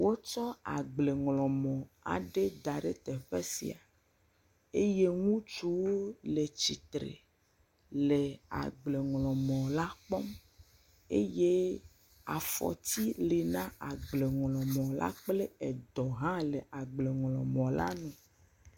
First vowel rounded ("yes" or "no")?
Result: yes